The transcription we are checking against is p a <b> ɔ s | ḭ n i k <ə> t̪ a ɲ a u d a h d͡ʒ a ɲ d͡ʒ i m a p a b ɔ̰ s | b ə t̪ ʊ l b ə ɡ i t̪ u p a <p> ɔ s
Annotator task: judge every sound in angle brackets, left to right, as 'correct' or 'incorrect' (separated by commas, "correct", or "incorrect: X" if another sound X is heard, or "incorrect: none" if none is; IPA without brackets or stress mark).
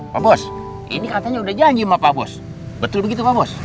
correct, incorrect: a, incorrect: b